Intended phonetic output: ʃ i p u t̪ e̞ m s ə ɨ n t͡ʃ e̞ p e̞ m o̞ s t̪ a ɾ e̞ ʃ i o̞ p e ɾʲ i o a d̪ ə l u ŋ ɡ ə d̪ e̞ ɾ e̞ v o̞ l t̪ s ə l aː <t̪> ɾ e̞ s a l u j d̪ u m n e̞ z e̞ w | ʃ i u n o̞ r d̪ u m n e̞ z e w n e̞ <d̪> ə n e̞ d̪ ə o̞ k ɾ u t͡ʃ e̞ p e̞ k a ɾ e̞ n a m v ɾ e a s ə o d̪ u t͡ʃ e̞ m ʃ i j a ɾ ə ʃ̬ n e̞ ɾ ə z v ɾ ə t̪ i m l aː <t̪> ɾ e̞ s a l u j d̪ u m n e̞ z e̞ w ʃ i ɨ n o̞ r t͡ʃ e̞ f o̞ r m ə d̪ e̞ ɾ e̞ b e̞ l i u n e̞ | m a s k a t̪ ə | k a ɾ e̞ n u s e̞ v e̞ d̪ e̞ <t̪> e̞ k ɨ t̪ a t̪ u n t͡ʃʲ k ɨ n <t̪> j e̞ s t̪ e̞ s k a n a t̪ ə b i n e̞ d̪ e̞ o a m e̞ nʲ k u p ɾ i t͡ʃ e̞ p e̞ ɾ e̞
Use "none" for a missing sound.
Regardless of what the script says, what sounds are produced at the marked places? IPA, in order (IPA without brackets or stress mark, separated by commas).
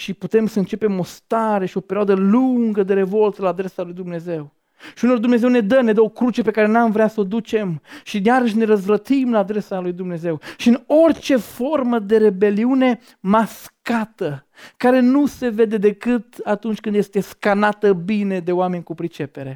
d̪, d̪, d̪, d̪, d̪